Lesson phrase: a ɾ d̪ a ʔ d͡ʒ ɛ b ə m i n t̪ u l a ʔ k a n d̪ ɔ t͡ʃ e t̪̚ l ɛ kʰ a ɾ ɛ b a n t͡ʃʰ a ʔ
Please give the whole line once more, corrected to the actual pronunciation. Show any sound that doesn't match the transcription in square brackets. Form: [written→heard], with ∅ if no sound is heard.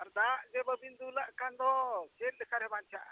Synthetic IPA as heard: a ɾ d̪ a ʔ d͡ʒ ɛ b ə [m→b] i n [t̪→d̪] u l a ʔ k a n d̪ ɔ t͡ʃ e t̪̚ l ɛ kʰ a ɾ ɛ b a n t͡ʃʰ a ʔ